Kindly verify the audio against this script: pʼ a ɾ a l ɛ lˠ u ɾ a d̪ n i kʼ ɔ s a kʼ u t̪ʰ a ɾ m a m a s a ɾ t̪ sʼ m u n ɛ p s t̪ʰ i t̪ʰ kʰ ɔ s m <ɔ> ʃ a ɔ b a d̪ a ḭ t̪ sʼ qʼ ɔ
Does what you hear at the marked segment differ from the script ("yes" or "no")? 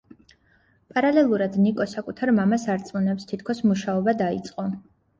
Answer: yes